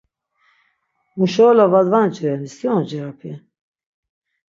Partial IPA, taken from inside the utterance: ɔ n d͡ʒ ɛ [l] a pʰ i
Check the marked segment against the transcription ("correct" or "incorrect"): incorrect